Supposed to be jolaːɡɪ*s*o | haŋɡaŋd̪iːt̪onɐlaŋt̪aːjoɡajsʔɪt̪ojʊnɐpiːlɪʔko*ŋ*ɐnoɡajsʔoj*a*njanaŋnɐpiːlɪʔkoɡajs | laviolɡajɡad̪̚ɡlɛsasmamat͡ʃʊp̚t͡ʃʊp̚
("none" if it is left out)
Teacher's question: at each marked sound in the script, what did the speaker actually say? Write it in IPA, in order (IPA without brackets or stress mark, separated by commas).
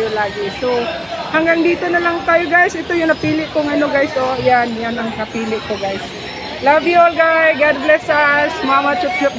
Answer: s, ŋ, a